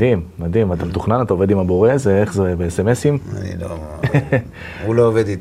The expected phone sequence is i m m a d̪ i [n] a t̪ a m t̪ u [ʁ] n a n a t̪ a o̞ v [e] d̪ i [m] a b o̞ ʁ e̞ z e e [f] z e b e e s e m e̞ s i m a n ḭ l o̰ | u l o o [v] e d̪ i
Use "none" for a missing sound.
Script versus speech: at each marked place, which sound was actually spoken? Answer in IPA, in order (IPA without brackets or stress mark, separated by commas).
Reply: m, χ, e, m, χ, v